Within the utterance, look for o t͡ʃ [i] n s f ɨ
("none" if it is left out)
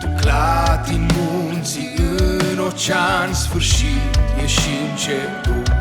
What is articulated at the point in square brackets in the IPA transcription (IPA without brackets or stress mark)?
a